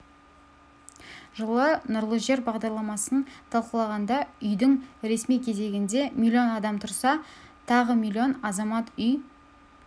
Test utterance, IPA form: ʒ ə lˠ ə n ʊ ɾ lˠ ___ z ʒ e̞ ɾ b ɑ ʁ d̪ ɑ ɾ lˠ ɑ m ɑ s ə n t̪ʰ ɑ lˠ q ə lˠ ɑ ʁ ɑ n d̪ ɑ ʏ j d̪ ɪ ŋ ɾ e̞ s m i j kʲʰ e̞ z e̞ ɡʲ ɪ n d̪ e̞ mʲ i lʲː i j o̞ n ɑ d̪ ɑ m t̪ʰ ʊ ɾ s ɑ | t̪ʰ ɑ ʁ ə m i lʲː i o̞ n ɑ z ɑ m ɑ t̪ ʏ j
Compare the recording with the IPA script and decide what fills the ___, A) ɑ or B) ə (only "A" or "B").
B